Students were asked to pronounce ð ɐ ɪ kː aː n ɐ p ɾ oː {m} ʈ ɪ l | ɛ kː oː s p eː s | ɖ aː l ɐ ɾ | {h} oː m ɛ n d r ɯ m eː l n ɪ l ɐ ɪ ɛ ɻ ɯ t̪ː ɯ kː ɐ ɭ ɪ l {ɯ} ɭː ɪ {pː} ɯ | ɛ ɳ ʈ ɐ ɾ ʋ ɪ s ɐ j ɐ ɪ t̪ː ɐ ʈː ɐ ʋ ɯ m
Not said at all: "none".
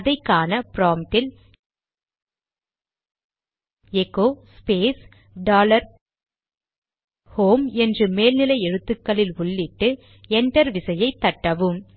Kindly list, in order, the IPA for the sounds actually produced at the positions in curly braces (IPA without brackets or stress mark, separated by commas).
m, h, ʊ, ʈː